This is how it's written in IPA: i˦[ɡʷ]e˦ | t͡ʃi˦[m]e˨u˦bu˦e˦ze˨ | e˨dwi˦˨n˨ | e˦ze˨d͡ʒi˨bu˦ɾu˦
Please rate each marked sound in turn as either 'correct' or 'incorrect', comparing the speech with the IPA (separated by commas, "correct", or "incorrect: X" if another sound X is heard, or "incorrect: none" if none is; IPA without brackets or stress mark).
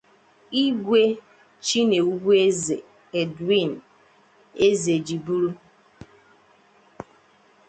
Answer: correct, incorrect: n